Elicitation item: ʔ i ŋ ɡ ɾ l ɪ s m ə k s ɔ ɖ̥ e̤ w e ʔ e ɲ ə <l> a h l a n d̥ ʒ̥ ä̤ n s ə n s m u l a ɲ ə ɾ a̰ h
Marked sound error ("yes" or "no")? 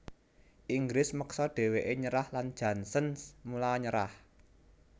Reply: yes